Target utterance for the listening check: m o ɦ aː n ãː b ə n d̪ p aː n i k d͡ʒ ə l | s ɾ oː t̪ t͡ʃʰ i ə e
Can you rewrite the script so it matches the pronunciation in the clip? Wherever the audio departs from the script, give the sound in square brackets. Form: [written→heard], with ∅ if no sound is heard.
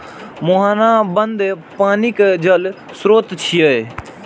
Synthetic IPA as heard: m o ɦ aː n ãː b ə n d̪ p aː n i k d͡ʒ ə l | s ɾ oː t̪ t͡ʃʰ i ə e